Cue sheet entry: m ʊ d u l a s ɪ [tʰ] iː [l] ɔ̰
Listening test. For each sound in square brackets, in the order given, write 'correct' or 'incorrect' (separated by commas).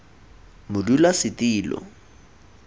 incorrect, correct